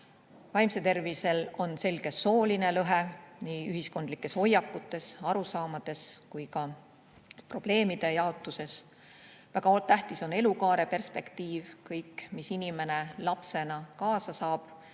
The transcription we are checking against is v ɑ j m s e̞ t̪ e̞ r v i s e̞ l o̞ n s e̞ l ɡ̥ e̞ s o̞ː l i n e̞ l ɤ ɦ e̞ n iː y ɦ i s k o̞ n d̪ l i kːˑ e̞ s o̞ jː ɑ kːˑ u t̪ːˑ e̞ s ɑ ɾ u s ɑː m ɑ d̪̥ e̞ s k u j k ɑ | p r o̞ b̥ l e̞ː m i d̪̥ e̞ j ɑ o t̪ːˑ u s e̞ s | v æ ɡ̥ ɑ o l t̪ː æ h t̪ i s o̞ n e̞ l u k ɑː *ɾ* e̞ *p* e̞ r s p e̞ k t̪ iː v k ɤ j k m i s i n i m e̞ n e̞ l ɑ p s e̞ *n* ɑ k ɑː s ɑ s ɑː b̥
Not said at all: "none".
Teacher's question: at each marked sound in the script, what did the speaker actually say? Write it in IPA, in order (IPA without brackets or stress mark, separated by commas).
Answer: ɾ, p, n